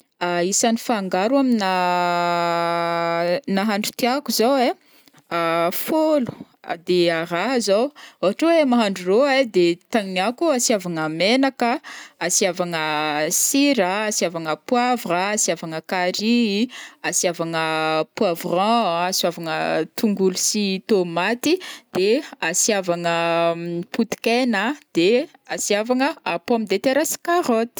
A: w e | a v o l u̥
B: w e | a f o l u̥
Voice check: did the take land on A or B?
B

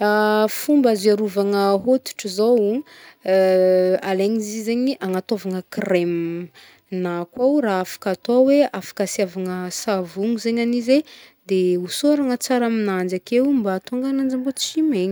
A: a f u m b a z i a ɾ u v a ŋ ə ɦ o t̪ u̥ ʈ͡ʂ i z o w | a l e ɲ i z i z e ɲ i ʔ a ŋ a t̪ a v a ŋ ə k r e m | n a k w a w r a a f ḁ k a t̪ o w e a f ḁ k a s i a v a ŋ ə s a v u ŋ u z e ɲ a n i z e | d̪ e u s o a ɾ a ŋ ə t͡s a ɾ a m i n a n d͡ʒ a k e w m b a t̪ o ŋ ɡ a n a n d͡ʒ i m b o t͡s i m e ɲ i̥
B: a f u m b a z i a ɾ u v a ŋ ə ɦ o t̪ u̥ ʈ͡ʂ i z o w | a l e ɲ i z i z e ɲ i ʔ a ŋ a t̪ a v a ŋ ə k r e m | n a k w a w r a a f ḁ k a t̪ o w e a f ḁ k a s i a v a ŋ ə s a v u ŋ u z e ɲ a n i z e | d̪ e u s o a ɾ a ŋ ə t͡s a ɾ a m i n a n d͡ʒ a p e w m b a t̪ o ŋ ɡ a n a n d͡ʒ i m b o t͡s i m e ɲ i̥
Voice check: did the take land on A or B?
A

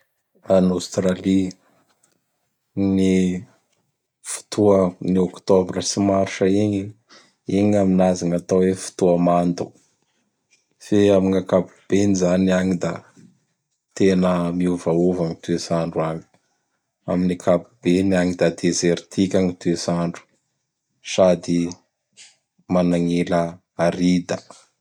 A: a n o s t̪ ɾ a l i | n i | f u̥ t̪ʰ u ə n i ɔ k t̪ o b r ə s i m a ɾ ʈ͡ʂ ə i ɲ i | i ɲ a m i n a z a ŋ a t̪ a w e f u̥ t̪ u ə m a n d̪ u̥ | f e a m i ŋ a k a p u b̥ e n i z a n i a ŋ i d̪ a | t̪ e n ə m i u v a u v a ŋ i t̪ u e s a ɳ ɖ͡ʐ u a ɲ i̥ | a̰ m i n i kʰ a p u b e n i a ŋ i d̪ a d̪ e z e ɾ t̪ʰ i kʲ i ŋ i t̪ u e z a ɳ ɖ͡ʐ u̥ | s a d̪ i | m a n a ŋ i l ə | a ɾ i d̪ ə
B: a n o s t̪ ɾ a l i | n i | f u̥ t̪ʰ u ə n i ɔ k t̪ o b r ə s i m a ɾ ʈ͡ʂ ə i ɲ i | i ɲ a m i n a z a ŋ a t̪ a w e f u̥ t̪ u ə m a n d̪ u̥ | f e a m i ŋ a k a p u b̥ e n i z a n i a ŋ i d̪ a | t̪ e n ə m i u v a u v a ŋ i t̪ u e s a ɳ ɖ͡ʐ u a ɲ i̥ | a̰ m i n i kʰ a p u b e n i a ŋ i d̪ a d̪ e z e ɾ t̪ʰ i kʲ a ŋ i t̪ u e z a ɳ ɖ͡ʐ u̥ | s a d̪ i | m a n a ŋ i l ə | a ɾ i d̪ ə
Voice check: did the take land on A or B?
B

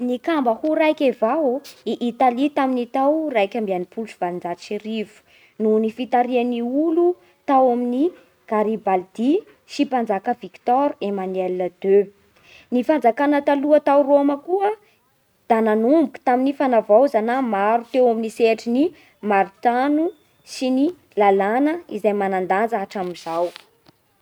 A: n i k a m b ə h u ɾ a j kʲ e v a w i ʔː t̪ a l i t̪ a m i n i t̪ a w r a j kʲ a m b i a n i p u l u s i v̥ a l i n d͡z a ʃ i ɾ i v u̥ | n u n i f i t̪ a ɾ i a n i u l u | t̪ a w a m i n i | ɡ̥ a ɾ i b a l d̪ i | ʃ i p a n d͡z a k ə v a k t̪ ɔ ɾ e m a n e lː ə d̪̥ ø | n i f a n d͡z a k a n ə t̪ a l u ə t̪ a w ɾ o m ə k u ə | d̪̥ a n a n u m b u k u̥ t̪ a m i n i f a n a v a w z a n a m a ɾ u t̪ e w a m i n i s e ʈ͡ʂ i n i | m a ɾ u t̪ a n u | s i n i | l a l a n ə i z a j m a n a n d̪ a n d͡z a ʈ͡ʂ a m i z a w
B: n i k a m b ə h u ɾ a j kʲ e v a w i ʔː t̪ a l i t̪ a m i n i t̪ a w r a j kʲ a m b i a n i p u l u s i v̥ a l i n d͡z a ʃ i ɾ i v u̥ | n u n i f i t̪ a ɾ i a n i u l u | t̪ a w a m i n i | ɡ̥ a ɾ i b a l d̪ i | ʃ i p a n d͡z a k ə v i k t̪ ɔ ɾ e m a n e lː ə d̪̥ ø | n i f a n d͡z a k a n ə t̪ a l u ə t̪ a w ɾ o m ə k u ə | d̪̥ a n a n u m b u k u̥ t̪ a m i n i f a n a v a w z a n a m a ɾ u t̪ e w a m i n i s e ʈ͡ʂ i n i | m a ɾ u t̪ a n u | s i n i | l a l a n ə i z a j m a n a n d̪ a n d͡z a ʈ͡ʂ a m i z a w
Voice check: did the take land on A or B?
B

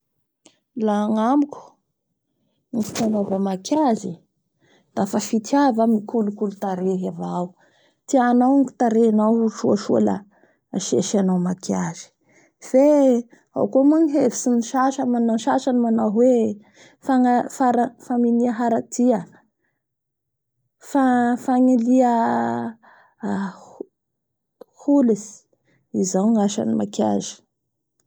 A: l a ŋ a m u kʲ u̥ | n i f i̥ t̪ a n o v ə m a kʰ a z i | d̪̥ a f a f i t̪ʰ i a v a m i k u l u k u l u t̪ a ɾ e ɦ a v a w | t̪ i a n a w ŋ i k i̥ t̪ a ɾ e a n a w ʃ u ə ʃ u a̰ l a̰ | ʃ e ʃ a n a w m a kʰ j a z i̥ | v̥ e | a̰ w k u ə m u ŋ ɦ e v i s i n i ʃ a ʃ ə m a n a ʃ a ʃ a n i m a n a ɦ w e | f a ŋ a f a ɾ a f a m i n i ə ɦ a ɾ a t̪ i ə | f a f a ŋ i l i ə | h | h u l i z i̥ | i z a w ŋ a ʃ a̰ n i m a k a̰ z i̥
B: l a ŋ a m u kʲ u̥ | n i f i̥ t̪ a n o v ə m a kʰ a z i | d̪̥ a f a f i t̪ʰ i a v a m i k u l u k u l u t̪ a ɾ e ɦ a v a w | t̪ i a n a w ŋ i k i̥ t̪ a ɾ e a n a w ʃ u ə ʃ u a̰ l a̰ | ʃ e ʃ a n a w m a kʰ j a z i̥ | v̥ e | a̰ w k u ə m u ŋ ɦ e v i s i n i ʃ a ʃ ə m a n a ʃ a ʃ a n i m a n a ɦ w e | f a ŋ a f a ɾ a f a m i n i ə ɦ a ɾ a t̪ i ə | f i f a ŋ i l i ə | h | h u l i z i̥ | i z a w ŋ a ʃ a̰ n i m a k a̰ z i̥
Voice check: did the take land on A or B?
A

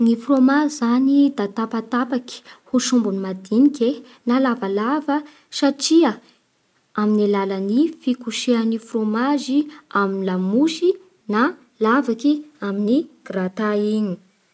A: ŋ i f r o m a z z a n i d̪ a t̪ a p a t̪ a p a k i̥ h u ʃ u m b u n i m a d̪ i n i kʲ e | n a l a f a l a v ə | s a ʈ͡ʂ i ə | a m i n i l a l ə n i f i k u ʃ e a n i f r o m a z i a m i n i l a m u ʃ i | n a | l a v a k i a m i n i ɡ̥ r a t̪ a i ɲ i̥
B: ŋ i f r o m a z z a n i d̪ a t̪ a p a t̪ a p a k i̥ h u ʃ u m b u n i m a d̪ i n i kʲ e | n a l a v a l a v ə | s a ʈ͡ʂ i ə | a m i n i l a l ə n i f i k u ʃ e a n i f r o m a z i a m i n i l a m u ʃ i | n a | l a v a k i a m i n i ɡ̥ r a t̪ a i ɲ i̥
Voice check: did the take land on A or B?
B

